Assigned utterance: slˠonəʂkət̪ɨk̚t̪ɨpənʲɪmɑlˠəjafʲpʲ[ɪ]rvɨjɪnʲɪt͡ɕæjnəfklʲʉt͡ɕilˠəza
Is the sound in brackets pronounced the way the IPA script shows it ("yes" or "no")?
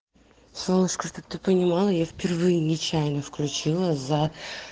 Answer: yes